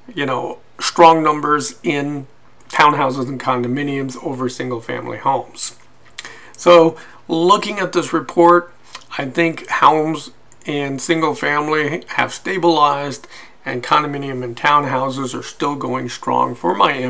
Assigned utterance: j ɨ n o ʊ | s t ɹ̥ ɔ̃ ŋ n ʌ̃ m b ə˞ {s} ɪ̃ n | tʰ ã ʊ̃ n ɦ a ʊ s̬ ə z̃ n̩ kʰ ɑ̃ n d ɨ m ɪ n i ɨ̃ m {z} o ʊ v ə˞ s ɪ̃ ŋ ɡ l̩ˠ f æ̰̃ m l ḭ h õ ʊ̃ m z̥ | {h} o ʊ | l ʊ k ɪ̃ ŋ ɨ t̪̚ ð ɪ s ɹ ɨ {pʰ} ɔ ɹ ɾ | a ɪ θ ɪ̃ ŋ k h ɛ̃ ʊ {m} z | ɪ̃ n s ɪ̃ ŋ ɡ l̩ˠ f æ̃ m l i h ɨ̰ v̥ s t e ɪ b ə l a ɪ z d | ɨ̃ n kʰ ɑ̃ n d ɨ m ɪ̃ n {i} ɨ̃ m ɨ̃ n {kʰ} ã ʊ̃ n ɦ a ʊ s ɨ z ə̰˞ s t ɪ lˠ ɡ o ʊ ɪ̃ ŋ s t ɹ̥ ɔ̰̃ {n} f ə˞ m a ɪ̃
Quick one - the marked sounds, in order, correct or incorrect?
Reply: incorrect, correct, incorrect, correct, correct, correct, incorrect, incorrect

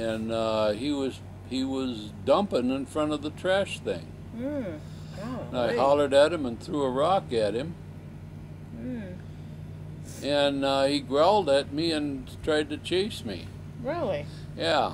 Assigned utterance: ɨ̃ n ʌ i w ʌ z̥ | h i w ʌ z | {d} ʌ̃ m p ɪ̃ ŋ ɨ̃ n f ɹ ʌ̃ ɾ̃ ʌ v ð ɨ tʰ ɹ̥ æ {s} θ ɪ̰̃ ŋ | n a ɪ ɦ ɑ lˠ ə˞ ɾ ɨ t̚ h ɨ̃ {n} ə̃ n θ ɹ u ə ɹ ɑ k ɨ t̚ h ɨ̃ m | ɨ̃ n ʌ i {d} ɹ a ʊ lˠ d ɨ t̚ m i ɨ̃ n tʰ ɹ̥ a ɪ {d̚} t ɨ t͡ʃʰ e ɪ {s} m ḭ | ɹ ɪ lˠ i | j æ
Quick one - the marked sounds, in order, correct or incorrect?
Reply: correct, incorrect, incorrect, incorrect, correct, correct

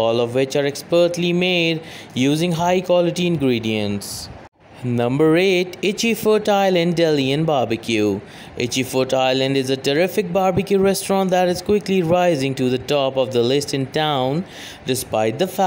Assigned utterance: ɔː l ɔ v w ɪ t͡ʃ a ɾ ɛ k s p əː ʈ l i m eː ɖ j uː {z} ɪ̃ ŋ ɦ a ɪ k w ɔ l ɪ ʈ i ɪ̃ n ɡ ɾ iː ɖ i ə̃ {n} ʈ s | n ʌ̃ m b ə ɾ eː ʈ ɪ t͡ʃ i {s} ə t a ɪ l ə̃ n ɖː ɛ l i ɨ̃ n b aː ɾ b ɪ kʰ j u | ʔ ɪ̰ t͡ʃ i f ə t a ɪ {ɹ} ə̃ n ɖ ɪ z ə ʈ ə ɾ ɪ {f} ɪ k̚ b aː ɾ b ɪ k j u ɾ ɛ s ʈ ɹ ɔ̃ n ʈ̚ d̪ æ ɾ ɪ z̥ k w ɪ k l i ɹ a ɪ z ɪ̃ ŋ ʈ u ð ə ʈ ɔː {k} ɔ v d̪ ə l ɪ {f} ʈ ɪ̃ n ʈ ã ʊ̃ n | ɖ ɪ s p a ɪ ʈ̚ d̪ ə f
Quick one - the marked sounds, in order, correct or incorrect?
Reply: correct, correct, incorrect, incorrect, correct, incorrect, incorrect

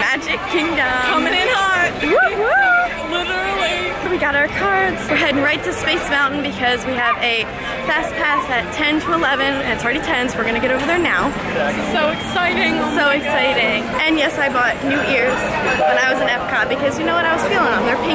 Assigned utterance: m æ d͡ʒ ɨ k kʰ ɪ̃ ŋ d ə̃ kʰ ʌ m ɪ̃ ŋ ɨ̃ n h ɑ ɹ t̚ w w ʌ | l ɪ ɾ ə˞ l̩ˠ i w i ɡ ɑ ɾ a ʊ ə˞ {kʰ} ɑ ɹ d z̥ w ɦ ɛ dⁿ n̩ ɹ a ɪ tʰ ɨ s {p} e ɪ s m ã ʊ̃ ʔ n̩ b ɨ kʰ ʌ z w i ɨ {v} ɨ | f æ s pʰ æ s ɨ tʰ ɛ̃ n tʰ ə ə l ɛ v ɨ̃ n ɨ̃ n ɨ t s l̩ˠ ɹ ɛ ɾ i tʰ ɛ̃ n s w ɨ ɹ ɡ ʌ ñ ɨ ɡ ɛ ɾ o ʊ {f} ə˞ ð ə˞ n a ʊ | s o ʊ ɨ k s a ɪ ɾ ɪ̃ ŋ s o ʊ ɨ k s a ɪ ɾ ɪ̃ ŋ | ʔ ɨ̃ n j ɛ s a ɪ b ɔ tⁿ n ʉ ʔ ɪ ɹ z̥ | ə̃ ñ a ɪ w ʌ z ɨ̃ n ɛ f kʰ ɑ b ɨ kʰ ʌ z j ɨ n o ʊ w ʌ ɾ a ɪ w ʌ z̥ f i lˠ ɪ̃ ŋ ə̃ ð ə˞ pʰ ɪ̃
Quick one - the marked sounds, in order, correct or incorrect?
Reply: correct, correct, correct, incorrect

